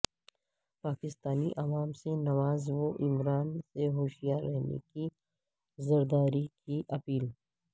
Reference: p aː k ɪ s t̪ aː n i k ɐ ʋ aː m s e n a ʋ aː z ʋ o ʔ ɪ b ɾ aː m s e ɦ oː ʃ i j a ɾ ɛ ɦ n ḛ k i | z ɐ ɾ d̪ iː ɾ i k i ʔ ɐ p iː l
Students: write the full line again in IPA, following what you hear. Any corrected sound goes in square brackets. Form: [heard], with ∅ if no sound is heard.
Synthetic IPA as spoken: p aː k ɪ s t̪ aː n i [ʔ] ɐ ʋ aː m s e n [ɐ] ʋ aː z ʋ o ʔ ɪ [m] ɾ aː [n] s e ɦ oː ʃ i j a ɾ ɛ ɦ n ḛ k i | z ɐ ɾ d̪ [aː] ɾ i k i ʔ ɐ p iː l